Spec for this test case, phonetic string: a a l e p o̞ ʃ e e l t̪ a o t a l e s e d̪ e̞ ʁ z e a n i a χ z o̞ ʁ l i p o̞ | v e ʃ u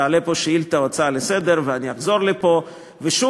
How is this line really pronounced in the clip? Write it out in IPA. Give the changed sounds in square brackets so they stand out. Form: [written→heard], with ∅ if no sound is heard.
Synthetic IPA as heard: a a l e p o̞ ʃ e [e→i] l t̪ a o [t→t͡s] a l e s e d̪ e̞ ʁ [z→v] e a n i a χ z o̞ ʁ l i p o̞ | v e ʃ u